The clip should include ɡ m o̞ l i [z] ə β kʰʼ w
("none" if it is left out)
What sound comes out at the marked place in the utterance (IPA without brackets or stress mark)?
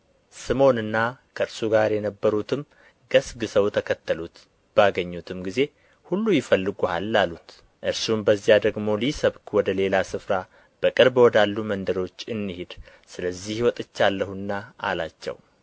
s